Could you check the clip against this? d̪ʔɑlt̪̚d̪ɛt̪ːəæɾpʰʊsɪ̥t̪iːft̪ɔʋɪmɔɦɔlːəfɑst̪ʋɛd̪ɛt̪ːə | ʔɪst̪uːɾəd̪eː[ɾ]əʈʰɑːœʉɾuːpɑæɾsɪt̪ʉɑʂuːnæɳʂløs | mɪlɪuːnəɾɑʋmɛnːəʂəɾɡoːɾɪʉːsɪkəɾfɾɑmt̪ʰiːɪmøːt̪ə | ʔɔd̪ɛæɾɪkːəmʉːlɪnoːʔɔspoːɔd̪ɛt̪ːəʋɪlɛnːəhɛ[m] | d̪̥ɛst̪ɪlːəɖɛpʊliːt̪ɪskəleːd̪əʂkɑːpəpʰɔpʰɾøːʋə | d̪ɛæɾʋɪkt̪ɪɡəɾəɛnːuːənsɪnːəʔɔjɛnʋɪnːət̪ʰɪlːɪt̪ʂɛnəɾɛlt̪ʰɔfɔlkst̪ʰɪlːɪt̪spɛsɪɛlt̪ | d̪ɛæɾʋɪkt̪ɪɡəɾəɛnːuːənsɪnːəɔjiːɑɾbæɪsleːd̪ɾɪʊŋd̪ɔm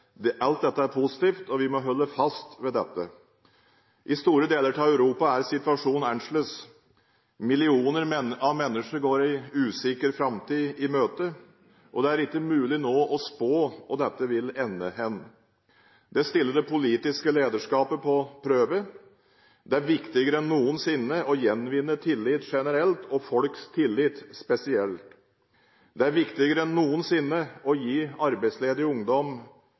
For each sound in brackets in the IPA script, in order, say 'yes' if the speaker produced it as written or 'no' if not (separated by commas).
no, no